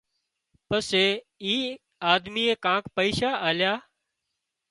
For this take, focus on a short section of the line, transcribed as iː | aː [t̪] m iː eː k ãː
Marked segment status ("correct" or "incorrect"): incorrect